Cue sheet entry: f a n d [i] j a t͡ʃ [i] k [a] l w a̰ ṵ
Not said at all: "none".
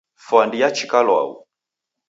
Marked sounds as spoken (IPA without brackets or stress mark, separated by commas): i, i, a